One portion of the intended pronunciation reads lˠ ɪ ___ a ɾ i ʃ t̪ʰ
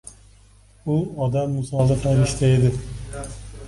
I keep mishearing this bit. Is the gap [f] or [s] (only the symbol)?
f